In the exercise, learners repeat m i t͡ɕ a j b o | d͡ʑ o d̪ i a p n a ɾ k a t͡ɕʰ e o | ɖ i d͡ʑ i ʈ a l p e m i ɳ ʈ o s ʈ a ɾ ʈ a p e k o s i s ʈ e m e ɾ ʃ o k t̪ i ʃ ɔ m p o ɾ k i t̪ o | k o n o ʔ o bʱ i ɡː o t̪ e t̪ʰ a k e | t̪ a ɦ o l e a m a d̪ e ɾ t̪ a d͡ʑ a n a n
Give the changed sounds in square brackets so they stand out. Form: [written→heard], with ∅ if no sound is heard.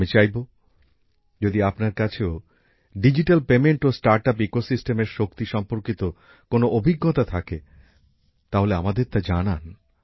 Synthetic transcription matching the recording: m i t͡ɕ a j b o | d͡ʑ o d̪ i a p n a ɾ k a t͡ɕʰ e o | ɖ i d͡ʑ i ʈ a l p e m [i→e] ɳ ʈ o s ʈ a ɾ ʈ a p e k o s i s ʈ e m e ɾ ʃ o k t̪ i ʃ ɔ m p o ɾ k i t̪ o | k o n o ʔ o bʱ i ɡː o t̪ [e→a] t̪ʰ a k e | t̪ a ɦ o l e a m a d̪ e ɾ t̪ a d͡ʑ a n a n